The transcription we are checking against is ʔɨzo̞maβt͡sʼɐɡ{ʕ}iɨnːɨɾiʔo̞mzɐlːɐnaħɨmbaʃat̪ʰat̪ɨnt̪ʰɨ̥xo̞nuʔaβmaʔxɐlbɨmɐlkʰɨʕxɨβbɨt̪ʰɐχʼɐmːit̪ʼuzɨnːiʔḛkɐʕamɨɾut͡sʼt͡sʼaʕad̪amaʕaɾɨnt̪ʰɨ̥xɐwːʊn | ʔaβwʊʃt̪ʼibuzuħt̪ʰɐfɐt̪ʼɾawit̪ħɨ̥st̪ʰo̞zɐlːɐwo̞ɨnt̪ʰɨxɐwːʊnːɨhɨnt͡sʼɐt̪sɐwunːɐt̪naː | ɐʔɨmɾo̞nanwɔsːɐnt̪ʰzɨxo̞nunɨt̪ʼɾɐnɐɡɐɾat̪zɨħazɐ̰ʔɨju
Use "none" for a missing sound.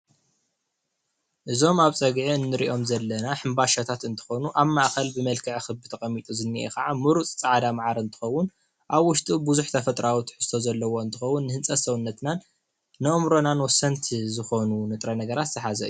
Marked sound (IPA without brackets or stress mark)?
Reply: ʕ